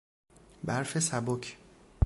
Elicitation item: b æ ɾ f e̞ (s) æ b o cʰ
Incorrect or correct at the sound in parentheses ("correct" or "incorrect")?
correct